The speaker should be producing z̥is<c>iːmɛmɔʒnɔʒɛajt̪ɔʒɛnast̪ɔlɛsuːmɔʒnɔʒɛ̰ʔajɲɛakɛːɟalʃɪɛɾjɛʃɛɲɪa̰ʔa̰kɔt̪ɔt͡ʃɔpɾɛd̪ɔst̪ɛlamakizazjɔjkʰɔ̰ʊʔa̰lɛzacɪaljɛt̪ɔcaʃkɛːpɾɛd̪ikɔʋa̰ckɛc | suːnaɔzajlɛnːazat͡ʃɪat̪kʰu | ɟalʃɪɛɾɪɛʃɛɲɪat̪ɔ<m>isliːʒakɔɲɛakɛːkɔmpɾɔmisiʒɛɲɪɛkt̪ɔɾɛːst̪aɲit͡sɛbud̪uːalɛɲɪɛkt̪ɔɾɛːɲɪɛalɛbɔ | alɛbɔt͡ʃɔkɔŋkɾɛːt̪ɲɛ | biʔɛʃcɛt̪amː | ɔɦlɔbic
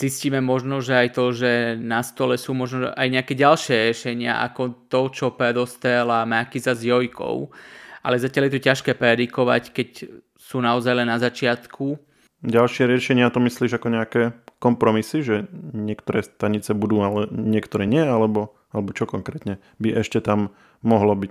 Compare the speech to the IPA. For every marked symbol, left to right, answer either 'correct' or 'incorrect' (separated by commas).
correct, correct